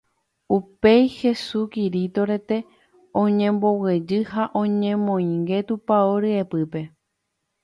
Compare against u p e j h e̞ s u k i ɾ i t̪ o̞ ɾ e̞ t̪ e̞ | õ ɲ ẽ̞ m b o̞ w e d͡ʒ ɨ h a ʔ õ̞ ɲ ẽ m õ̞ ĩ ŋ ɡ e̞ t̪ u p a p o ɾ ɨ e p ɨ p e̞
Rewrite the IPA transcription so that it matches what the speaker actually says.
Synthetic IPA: u p e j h e̞ s u k i ɾ i t̪ o̞ ɾ e̞ t̪ e̞ | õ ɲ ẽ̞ m b o̞ w e d͡ʒ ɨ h a ʔ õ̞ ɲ ẽ m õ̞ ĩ ŋ ɡ e̞ t̪ u p a o ɾ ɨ e p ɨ p e̞